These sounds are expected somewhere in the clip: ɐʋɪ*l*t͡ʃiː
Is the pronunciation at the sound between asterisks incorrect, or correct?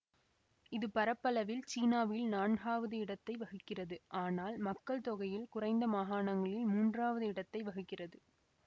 correct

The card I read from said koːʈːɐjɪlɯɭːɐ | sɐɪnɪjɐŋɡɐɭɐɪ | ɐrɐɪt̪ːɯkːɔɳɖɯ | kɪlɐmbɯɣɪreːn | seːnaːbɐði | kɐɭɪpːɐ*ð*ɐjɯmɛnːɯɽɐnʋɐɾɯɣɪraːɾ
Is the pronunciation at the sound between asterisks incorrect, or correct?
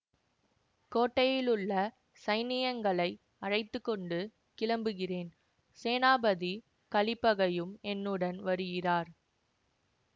incorrect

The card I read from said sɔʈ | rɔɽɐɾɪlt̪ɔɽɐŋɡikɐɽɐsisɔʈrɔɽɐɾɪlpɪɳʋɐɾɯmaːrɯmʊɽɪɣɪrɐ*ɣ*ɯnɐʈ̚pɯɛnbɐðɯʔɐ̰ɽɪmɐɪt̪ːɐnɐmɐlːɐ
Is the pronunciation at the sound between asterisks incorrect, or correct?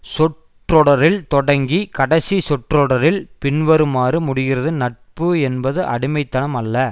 incorrect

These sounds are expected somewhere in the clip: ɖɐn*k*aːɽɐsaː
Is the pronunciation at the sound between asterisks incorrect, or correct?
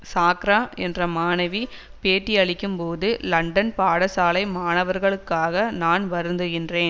incorrect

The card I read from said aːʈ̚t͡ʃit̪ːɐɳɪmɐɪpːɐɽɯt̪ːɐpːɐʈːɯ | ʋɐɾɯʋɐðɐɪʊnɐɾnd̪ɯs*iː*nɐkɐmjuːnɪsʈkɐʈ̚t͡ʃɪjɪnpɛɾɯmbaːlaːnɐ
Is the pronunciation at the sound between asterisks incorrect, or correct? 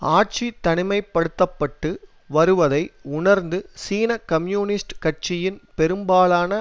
correct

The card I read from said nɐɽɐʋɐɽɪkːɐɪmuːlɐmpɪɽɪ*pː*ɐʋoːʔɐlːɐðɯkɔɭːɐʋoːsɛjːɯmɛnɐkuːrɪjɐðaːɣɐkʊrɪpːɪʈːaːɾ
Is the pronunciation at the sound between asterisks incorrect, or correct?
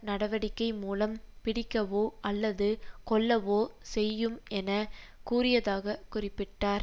incorrect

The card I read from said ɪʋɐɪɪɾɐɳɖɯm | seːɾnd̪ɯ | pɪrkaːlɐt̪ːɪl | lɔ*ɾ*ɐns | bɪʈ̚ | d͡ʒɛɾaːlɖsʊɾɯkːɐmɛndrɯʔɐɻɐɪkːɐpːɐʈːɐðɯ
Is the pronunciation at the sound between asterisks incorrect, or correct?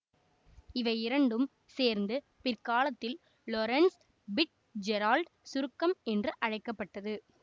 correct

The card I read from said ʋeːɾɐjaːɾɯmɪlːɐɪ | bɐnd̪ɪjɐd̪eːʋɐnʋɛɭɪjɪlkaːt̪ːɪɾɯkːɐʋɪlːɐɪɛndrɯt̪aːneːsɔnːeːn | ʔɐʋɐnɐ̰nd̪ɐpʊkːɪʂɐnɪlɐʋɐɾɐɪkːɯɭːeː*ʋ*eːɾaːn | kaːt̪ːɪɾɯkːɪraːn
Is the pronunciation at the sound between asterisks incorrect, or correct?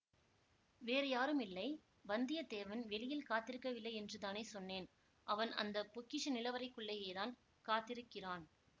incorrect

